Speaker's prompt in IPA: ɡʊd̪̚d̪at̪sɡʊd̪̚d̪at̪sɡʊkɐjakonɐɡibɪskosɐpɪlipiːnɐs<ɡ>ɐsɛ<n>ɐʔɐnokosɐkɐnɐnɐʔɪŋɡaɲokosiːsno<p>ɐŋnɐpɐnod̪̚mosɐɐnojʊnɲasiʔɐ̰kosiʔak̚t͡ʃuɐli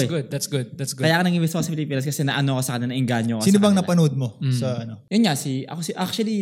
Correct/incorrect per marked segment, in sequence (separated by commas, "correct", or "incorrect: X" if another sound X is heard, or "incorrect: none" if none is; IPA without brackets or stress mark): incorrect: k, correct, incorrect: b